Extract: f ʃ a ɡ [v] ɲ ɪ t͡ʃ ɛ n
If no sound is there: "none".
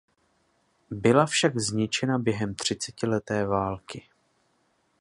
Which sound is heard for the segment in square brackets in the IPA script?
z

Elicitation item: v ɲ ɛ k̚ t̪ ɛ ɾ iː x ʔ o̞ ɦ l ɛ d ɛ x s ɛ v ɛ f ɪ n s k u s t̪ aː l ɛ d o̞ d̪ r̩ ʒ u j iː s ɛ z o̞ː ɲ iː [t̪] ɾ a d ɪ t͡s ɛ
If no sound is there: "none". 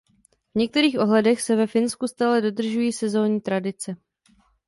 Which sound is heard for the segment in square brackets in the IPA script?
t̪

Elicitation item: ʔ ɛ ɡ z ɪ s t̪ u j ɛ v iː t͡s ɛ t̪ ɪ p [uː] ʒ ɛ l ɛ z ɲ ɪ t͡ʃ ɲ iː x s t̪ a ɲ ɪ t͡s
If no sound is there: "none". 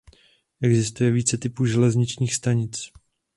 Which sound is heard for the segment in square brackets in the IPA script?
uː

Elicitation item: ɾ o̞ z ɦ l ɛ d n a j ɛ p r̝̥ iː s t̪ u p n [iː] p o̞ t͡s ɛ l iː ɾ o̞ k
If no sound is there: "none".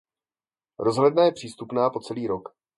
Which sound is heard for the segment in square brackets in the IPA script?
aː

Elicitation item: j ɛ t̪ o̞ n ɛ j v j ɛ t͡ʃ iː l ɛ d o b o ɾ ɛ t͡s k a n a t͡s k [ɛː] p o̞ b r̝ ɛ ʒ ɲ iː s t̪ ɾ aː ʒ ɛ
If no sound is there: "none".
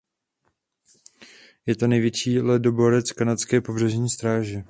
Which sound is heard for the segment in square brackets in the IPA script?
ɛː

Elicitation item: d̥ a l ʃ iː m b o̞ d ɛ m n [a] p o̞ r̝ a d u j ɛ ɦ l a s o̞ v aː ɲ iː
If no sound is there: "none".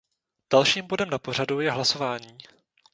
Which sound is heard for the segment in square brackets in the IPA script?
a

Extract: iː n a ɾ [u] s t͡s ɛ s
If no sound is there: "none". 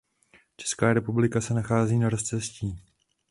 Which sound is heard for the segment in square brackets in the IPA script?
o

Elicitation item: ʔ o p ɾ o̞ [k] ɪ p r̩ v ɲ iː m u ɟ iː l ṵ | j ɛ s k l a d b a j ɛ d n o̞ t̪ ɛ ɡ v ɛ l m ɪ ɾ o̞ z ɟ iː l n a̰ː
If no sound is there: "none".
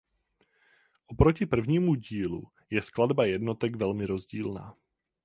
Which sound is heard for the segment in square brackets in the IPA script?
c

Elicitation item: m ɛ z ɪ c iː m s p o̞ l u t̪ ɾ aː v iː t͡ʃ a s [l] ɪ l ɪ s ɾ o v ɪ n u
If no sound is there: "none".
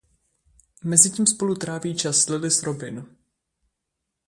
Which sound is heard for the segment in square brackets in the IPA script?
l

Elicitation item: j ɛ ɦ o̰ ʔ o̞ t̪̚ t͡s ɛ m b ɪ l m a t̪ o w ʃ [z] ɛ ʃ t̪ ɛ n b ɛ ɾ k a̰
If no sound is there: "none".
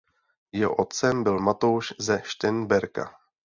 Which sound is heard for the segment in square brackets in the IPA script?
z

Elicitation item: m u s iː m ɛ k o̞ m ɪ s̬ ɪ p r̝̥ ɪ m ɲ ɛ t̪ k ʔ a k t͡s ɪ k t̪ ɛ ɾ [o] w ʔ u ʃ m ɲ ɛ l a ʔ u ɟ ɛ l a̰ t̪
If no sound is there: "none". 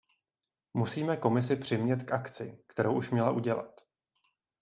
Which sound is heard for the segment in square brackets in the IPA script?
o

